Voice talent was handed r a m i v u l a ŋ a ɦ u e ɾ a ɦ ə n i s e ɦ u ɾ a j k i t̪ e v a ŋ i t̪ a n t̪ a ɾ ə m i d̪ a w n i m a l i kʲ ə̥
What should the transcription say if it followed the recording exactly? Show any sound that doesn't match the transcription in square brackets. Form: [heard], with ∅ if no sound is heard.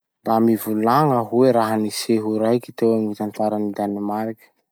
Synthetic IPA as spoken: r a m i v u l a ŋ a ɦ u e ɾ a ɦ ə n i s e ɦ u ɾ a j k i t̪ e [w] a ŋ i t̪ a n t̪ a ɾ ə [n] i d̪ a [∅] n i m a [ɾ] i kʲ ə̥